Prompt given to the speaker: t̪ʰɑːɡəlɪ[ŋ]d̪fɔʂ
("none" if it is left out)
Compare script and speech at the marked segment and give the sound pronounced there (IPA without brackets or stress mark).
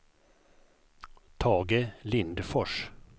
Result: n